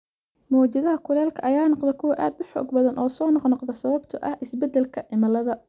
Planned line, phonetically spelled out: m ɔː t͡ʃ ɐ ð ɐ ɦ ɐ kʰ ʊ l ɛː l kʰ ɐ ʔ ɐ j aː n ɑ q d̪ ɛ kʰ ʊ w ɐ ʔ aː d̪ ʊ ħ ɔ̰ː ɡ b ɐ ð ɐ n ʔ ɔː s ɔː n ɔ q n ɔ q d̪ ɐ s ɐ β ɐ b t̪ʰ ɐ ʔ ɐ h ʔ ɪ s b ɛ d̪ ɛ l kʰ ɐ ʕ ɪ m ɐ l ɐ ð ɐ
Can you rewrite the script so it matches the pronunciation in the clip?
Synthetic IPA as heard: m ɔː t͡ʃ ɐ ð ɐ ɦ ɐ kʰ ʊ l ɛː l kʰ ɐ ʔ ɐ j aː n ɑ q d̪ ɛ kʰ ʊ w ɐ ʔ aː d̪ ʊ ħ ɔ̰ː ɡ b ɐ ð ɐ n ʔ ɔː s ɔː n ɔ q n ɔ q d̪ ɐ s ɐ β ɐ b t̪ʰ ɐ ʔ ɐ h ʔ ɪ s b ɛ d̪ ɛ l kʰ ɐ ʕ ɪ m ɐ l ɐ ð ɐ